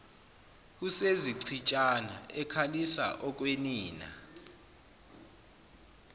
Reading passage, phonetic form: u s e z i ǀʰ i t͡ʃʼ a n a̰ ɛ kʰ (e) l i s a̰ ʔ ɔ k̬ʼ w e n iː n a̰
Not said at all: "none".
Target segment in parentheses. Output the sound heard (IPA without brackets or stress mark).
a